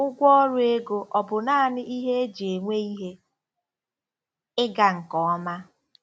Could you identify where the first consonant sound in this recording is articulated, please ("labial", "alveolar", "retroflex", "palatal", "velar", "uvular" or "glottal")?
velar